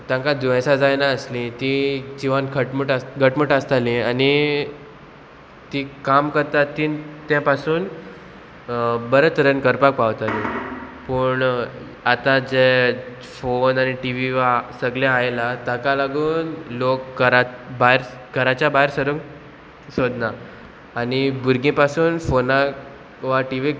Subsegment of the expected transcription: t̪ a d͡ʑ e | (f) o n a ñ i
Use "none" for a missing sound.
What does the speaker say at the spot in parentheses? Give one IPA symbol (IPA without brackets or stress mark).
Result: f